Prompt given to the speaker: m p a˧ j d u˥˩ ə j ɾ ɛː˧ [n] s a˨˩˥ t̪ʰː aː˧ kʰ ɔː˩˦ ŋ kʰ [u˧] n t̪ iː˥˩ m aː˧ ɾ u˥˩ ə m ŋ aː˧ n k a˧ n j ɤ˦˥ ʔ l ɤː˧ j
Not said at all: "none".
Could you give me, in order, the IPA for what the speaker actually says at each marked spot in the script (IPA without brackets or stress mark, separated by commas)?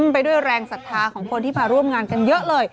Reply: ŋ, o˧